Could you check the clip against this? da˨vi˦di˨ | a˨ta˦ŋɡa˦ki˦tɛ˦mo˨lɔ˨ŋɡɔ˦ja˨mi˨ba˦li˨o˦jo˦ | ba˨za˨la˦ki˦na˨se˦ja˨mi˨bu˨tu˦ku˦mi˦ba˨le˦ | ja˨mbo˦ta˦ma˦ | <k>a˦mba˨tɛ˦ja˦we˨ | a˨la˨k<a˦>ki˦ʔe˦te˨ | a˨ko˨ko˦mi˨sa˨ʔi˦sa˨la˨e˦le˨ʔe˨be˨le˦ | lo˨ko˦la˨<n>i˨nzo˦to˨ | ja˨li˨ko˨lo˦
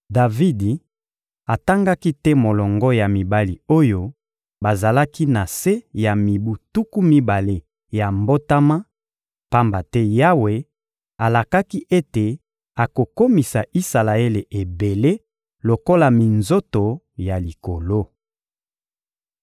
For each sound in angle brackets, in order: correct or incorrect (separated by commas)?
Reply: incorrect, correct, incorrect